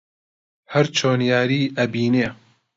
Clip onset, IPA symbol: h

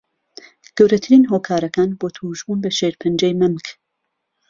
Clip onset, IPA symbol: ɡ̥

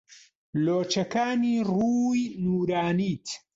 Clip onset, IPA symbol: l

